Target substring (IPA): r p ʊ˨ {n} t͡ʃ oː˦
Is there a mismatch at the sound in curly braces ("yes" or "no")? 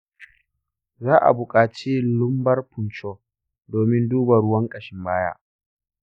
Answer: no